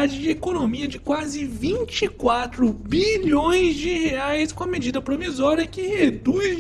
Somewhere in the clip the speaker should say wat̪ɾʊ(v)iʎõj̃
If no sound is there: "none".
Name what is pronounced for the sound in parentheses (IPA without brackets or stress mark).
b